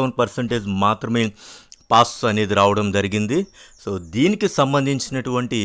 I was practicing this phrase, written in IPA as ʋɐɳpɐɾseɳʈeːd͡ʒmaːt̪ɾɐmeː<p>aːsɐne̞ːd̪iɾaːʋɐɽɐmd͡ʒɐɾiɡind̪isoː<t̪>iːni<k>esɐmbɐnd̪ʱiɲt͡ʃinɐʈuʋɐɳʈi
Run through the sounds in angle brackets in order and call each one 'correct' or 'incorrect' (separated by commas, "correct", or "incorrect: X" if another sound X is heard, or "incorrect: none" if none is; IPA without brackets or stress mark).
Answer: correct, incorrect: d̪, correct